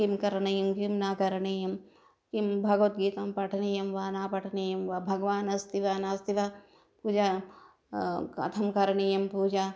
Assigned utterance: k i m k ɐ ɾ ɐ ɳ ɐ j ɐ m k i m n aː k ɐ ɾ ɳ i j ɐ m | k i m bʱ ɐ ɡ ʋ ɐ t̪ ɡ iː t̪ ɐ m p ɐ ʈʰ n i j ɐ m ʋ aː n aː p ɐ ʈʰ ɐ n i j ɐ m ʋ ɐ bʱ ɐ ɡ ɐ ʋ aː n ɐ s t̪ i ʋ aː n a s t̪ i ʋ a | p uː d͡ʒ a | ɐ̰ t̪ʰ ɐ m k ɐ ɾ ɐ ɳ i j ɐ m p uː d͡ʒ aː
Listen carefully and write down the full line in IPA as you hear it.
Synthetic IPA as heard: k i m k ɐ ɾ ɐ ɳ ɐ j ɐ m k i m n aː k ɐ ɾ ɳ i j ɐ m | k i m bʱ ɐ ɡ ʋ ɐ t̪ ɡ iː t̪ ɐ m p ɐ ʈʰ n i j ɐ m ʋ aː n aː p ɐ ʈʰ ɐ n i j ɐ m ʋ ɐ bʱ ɐ ɡ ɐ ʋ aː n ɐ s t̪ i ʋ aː n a s t̪ i ʋ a | p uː d͡ʒ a | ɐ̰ t̪ʰ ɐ m k ɐ ɾ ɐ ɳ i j ɐ m p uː d͡ʒ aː